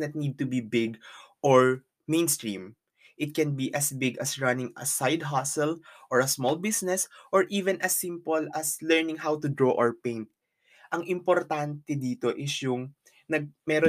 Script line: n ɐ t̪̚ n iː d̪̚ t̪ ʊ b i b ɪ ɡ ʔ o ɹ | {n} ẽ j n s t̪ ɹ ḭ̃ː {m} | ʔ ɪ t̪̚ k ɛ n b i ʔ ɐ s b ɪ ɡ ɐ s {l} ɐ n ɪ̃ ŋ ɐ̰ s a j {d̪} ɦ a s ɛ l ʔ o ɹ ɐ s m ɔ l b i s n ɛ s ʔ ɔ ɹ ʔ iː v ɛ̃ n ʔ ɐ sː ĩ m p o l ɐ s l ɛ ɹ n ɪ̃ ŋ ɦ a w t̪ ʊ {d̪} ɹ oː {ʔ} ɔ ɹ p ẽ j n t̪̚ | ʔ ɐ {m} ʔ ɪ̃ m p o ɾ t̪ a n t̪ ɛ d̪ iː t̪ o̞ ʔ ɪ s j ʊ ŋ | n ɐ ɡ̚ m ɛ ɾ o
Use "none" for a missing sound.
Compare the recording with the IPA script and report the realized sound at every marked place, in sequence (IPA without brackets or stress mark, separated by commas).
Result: m, m, ɹ, d̪, d̪, ʔ, ŋ